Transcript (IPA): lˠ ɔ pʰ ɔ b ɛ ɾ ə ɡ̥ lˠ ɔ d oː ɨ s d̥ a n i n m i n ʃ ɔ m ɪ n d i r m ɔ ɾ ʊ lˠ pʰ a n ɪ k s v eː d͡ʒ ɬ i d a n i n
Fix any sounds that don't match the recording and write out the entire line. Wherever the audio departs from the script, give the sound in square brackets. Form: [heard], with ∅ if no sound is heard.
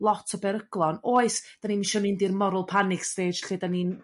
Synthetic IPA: lˠ ɔ [tʰ] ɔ b ɛ ɾ ə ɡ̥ lˠ ɔ [n] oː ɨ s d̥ a n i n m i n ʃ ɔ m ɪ n d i r m ɔ ɾ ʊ lˠ pʰ a n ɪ k s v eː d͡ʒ ɬ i d a n i n